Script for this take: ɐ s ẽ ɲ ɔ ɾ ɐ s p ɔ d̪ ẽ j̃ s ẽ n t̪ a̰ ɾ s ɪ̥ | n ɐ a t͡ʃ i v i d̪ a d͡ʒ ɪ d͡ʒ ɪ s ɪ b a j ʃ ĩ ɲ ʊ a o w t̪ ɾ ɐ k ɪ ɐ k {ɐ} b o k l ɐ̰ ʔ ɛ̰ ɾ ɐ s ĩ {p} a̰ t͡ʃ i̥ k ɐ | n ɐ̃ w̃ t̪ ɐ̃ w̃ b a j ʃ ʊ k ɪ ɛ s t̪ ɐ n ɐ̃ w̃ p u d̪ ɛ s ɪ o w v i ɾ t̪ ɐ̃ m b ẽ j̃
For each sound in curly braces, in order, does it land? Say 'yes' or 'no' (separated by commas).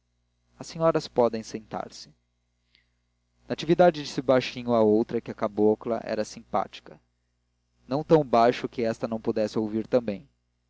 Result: no, yes